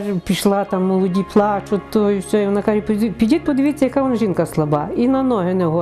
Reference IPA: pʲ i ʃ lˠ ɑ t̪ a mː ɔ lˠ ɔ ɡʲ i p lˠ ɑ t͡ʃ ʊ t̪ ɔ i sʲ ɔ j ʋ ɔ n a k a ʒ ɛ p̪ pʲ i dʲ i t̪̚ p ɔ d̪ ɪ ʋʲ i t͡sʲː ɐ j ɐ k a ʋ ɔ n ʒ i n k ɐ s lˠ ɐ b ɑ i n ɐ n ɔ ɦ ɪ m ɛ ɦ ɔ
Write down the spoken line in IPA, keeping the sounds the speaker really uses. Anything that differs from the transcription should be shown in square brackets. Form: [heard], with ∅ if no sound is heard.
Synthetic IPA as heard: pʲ i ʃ lˠ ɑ t̪ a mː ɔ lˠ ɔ [dʲ] i p lˠ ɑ t͡ʃ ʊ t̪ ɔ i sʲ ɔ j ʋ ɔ n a k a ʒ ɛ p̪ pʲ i dʲ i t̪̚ p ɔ d̪ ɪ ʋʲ i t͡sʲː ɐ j ɐ k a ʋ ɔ n ʒ i n k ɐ s lˠ ɐ b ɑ i n ɐ n ɔ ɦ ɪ [n] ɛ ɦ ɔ